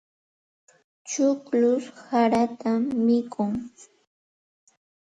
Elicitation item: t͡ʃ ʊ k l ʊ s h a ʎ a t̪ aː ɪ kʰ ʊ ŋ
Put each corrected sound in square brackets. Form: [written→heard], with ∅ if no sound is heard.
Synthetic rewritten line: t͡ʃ ʊ k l ʊ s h a [ʎ→ɾ] a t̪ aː ɪ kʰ ʊ ŋ